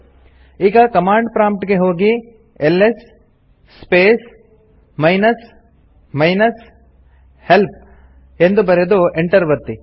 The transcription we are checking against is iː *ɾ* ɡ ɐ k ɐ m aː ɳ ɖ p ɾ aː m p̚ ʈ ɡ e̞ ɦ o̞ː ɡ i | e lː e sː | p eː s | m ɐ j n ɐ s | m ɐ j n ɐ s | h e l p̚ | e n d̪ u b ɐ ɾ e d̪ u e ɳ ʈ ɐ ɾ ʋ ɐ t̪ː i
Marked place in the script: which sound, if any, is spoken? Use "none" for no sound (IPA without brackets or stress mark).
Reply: none